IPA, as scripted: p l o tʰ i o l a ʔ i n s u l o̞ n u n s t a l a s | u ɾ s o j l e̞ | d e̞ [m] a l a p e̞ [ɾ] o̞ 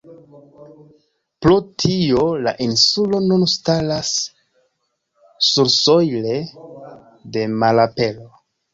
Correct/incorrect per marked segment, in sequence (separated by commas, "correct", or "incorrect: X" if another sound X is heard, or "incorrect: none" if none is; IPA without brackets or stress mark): correct, incorrect: l